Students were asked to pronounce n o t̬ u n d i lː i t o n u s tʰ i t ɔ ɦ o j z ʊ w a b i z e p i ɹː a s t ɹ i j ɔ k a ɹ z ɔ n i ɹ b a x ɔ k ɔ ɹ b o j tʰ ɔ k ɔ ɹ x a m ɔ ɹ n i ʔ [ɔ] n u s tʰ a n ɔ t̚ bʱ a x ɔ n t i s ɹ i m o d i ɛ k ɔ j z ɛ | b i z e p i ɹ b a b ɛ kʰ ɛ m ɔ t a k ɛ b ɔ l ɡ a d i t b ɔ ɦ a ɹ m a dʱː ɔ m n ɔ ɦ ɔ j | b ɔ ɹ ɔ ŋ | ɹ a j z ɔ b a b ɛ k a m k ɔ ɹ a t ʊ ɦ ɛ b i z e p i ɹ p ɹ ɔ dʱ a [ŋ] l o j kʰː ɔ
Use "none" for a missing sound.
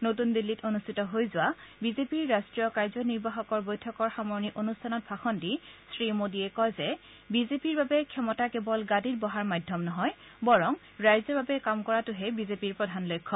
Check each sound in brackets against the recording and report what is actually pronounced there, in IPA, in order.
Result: o, n

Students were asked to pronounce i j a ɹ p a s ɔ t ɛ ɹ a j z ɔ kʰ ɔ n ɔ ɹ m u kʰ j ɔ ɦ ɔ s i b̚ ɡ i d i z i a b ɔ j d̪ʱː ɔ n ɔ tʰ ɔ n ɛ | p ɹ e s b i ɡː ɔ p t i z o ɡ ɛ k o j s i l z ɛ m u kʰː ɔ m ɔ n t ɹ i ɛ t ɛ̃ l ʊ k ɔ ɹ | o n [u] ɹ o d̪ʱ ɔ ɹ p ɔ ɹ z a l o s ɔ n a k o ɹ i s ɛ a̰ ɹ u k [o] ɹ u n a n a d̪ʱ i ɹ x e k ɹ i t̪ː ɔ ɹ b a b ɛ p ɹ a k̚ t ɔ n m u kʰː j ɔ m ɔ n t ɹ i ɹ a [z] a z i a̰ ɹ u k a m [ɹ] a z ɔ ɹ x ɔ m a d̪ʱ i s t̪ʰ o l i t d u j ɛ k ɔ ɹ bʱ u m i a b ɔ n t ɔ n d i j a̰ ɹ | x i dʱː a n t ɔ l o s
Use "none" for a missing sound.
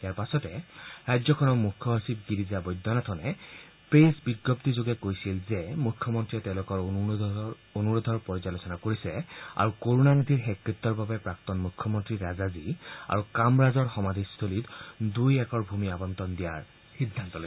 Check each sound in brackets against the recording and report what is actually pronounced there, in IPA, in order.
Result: u, o, z, ɹ

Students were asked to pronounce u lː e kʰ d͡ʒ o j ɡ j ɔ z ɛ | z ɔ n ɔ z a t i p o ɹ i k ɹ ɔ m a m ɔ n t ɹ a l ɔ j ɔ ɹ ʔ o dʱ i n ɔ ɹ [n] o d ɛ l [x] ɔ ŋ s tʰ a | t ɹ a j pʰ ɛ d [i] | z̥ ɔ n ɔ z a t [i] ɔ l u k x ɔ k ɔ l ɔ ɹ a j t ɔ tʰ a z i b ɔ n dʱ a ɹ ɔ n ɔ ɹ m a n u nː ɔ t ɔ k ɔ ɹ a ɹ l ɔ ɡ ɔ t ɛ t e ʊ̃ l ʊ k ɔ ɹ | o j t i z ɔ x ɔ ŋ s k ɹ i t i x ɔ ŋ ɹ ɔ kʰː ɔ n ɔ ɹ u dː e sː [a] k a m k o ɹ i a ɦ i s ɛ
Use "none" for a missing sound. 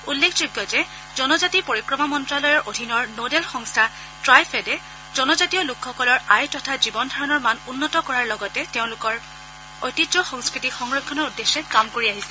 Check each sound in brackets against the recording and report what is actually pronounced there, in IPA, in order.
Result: n, x, ɛ, i, ɛ

